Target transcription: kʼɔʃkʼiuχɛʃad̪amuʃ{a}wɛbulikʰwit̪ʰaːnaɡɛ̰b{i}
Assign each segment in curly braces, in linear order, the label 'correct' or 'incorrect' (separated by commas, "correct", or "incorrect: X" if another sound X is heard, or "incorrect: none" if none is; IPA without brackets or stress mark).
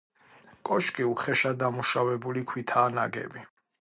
correct, correct